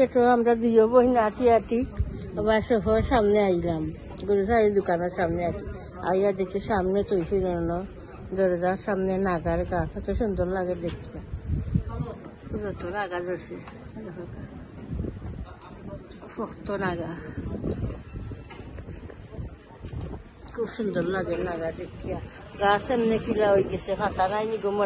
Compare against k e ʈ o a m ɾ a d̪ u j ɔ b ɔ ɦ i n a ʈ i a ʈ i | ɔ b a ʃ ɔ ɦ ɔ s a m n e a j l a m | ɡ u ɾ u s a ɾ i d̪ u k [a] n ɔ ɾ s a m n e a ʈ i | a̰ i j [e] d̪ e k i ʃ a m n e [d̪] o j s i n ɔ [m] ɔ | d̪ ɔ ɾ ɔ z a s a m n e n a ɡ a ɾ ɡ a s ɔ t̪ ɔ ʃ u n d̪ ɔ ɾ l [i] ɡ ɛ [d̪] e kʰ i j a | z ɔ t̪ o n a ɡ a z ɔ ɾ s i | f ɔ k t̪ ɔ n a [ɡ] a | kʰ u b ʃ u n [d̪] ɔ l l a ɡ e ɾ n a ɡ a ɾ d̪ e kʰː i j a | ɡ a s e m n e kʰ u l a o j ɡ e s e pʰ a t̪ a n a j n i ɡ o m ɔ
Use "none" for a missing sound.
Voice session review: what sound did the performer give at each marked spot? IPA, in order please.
a, a, t̪, n, a, d̪, ɡ, d̪

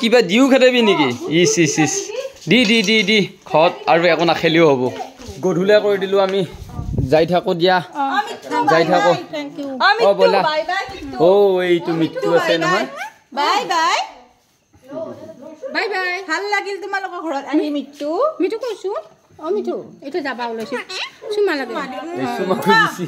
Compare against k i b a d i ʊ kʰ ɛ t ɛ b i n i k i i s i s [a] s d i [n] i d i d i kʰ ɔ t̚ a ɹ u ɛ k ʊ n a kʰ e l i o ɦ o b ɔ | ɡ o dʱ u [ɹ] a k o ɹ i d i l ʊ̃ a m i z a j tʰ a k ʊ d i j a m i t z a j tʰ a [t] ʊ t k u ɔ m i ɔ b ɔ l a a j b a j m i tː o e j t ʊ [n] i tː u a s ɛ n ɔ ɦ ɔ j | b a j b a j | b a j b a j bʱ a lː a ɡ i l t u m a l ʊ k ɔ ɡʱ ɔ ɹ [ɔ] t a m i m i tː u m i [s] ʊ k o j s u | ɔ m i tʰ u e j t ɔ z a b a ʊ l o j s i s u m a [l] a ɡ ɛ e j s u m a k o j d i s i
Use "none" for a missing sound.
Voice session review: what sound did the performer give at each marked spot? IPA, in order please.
i, d, l, k, m, ɔ, t, l

